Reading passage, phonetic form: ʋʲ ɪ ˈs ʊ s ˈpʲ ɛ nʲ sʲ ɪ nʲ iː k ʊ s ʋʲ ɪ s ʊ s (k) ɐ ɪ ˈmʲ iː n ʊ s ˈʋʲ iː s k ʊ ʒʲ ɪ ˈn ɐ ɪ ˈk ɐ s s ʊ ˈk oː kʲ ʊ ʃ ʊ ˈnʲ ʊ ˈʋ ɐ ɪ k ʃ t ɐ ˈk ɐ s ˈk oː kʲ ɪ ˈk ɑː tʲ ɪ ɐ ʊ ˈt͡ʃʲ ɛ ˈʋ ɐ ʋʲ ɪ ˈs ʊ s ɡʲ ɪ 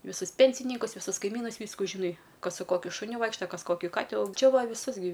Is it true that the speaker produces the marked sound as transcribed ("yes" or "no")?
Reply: yes